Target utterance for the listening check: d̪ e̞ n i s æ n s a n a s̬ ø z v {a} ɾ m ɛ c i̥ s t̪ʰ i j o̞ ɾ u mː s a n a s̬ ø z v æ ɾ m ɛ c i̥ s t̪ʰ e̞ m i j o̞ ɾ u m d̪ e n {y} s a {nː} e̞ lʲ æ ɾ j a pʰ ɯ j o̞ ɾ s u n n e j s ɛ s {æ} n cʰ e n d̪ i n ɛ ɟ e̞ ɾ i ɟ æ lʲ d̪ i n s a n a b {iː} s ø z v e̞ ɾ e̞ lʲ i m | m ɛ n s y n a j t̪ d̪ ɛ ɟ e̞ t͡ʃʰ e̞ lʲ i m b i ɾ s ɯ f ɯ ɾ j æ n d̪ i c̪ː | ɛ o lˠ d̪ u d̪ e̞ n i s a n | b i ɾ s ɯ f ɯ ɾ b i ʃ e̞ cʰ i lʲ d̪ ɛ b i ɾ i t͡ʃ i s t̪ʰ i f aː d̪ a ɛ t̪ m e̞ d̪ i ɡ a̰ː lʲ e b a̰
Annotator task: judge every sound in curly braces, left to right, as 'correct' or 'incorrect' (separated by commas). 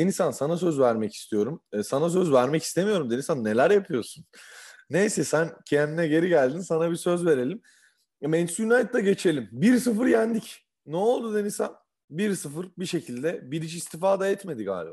incorrect, incorrect, correct, correct, incorrect